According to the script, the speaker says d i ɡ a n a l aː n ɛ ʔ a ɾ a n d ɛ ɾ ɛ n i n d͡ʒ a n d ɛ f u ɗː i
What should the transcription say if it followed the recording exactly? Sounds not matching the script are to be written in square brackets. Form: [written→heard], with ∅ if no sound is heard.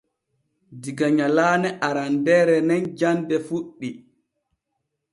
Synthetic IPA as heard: d i ɡ a [n→ɲ] a l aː n ɛ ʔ a ɾ a n d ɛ ɾ ɛ n [i→ɛ] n d͡ʒ a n d ɛ f u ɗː i